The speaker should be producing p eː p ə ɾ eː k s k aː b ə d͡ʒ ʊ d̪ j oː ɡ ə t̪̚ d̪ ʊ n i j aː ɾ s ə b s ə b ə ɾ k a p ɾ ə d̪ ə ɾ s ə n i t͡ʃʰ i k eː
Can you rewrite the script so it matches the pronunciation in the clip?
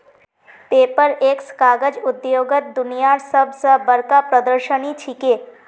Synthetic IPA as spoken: p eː p ə ɾ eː k s k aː ɡ ə d͡ʒ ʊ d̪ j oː ɡ ə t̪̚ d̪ ʊ n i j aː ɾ s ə b s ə b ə ɾ k a p ɾ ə d̪ ə ɾ ʃ ə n i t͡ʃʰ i k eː